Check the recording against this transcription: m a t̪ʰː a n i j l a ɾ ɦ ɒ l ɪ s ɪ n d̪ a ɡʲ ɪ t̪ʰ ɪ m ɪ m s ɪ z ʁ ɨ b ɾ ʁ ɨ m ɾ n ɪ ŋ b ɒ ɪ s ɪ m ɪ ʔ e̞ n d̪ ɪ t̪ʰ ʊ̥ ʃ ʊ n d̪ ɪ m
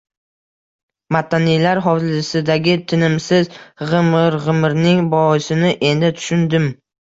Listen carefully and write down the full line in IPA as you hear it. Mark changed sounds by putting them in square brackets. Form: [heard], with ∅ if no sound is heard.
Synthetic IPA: m a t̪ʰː a n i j l a ɾ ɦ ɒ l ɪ s ɪ [∅] d̪ a ɡʲ ɪ t̪ʰ ɪ [n] ɪ m s ɪ z ʁ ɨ [m] ɾ ʁ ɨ m ɾ n ɪ ŋ b ɒ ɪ s ɪ [n] ɪ ʔ e̞ n d̪ ɪ t̪ʰ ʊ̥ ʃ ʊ n d̪ ɪ m